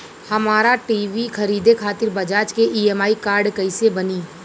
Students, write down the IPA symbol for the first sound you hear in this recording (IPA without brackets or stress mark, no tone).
h